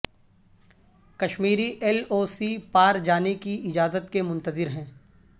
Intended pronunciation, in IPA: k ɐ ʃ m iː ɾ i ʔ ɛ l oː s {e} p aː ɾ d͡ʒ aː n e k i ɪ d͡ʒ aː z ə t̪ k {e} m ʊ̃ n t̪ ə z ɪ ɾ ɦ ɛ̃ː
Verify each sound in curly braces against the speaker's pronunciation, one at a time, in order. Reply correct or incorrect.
incorrect: i, correct

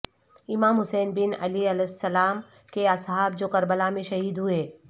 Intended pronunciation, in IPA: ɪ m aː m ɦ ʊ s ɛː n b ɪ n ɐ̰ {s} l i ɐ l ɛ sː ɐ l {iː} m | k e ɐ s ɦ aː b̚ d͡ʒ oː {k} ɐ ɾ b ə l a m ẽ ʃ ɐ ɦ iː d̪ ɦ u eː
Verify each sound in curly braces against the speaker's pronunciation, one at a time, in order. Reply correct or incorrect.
incorrect: none, incorrect: aː, correct

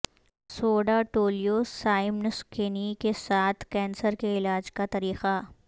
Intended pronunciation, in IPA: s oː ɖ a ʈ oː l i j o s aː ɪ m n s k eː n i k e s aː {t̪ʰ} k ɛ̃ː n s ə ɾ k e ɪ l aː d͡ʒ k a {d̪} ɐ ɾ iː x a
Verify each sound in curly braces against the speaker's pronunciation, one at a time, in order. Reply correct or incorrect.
correct, incorrect: t̪

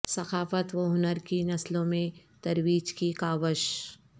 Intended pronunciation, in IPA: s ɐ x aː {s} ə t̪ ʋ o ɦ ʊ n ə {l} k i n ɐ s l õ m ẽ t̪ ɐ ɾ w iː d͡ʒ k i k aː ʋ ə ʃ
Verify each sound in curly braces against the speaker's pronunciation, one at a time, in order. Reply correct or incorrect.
incorrect: f, incorrect: ɾ

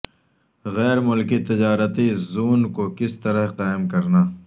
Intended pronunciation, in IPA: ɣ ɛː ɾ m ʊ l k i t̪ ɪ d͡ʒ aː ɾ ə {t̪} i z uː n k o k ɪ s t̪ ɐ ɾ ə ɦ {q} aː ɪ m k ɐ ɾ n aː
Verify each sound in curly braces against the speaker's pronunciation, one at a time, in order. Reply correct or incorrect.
correct, correct

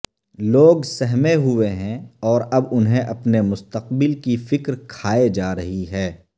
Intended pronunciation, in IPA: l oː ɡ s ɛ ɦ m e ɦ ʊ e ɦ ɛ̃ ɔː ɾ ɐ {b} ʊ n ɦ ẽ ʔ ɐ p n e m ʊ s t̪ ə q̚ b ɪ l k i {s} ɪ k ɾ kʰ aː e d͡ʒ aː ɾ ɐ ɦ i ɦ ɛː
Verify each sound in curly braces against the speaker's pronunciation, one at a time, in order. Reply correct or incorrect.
correct, incorrect: f

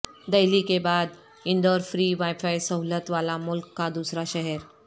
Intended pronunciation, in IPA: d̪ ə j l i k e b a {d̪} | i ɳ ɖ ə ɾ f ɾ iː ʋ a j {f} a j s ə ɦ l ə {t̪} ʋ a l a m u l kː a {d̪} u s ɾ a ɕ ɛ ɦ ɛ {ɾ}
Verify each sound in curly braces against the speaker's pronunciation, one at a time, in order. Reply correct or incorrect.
correct, correct, correct, correct, correct

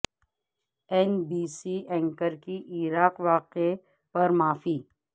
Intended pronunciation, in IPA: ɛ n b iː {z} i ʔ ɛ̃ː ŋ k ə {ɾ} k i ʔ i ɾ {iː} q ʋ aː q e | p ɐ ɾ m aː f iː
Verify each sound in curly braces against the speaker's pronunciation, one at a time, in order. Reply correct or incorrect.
incorrect: s, correct, incorrect: aː

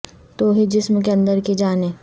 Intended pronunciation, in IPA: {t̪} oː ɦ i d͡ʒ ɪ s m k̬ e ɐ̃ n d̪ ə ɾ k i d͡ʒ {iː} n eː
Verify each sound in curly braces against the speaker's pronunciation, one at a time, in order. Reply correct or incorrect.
correct, incorrect: aː

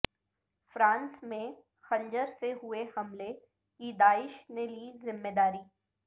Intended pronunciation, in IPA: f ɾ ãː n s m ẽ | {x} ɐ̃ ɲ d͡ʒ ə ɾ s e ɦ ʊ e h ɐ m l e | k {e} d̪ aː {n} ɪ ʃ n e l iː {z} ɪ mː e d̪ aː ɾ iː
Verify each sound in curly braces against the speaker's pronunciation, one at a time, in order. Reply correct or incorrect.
correct, incorrect: i, incorrect: none, correct

